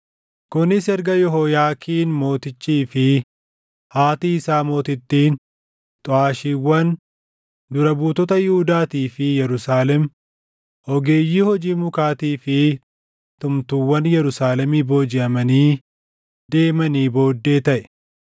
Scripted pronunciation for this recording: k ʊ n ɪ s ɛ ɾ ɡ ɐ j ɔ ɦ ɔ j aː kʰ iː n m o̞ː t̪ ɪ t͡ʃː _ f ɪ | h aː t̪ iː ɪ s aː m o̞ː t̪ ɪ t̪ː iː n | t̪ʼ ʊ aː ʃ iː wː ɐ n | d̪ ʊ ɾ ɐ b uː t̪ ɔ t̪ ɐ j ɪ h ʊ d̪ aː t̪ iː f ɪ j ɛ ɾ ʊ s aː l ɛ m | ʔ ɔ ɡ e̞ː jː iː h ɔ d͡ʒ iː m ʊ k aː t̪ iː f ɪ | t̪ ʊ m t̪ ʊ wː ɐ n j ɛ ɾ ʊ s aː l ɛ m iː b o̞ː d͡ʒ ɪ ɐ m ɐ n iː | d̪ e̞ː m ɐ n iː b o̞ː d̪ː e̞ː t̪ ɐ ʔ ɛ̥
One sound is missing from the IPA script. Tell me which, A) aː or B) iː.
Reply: B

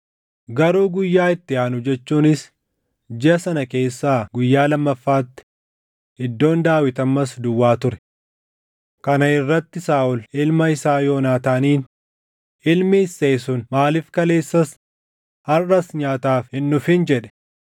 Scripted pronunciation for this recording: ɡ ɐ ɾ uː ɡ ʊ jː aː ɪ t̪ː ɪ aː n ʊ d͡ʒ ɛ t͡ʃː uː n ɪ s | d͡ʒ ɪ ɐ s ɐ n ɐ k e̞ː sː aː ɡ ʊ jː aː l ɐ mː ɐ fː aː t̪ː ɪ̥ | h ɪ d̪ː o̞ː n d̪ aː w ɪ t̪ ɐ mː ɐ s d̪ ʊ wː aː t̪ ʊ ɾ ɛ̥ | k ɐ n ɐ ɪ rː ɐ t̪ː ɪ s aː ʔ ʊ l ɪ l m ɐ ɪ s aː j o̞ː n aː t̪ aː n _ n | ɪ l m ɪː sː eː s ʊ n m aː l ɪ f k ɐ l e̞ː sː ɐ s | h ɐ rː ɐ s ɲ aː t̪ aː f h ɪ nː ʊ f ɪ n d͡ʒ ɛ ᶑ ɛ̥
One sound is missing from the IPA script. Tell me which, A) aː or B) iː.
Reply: B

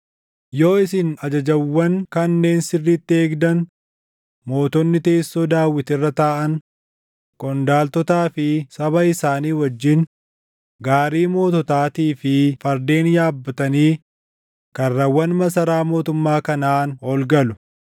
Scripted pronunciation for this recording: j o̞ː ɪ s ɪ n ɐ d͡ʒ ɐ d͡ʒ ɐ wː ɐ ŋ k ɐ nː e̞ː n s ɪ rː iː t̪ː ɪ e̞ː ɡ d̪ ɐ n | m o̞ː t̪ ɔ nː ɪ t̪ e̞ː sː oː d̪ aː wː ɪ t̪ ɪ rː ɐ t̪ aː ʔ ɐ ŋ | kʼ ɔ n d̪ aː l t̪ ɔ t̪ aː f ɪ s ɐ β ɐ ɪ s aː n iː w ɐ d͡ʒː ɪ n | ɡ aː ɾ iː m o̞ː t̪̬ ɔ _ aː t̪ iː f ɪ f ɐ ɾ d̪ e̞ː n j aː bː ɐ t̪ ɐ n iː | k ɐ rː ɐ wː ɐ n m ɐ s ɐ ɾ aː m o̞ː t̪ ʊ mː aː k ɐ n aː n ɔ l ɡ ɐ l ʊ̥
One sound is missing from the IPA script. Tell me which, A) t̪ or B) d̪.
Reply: A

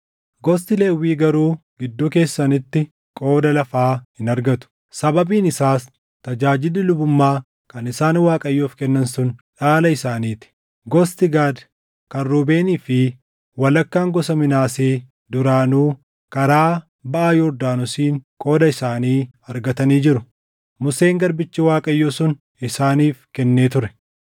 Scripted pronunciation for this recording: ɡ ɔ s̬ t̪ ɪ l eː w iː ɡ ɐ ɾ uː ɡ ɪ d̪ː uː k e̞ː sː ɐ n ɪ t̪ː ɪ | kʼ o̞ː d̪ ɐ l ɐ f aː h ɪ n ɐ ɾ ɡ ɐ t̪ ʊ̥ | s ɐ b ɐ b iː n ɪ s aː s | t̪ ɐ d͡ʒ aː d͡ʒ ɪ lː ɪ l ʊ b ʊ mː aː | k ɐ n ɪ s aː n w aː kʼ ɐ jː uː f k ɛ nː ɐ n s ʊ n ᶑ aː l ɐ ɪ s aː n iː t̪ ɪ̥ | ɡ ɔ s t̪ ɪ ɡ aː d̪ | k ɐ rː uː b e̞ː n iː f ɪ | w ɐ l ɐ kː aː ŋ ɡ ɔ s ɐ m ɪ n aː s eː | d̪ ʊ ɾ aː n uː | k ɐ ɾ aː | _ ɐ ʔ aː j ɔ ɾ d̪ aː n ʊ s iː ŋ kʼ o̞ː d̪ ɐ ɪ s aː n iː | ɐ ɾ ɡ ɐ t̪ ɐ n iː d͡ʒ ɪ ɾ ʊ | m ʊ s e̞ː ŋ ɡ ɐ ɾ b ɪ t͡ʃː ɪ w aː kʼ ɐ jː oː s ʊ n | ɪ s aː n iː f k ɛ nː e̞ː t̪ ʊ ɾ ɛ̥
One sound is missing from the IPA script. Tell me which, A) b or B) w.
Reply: A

